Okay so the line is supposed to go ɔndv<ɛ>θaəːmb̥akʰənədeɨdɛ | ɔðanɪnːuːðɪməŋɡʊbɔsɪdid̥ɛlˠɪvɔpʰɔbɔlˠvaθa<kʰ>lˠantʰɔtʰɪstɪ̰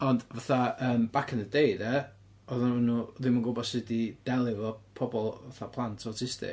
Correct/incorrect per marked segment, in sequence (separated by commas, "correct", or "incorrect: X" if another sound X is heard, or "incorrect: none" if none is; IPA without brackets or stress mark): incorrect: a, incorrect: pʰ